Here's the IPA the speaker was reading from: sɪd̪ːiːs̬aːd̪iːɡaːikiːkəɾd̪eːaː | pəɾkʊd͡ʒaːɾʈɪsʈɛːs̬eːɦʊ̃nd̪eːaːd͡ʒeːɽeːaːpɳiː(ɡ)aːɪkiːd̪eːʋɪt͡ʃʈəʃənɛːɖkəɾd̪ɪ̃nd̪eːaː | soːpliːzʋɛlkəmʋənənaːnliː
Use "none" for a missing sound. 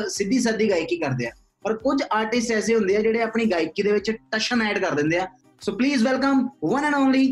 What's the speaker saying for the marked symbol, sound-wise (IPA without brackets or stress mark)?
ɡ